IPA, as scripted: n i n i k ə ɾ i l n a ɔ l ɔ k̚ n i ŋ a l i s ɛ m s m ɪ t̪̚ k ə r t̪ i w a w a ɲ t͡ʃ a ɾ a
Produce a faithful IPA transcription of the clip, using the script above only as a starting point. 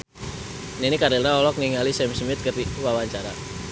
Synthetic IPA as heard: n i n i k a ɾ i l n a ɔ l ɔ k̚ n i ŋ a l i s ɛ m s m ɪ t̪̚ k ə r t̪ i w a w a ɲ t͡ʃ a ɾ a